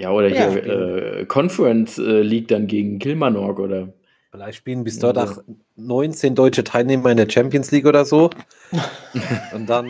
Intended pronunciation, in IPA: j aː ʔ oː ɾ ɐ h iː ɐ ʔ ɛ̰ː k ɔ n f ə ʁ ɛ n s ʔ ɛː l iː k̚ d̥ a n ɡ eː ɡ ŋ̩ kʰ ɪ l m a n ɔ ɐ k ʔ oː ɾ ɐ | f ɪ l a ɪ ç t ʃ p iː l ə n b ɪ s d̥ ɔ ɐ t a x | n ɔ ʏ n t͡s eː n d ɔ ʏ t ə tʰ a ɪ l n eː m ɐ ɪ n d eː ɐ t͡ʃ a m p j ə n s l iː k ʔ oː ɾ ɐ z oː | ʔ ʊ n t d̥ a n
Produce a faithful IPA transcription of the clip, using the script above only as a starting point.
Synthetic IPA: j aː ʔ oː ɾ ɐ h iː ɐ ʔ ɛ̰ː kʰ ɔ n f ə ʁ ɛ n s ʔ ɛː l iː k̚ d̥ a n ɡ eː ɡ ŋ̩ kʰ ɪ l m a n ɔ ɐ k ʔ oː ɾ ɐ | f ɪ l a ɪ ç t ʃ p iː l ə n b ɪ s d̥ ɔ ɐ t a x | n ɔ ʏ n t͡s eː n d ɔ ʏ t͡ʃ ə tʰ a ɪ l n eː m ɐ ɪ n d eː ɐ t͡ʃ ɛ m p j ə n s l iː k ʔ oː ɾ ɐ z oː | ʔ ʊ n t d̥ a n